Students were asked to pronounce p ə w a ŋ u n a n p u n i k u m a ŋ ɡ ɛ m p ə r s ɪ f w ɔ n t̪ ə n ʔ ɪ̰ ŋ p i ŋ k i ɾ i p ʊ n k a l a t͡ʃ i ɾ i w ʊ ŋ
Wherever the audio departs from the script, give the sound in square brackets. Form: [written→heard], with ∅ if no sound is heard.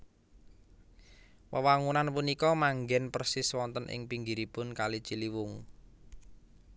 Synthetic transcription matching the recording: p ə w a ŋ u n a n p u n i k [u→ɔ] m a ŋ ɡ ɛ [m→n] p ə r s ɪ [f→s] w ɔ n t̪ ə n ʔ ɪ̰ ŋ p i ŋ [k→ɡ] i ɾ i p ʊ n k a l [a→i] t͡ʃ i [ɾ→l] i w ʊ ŋ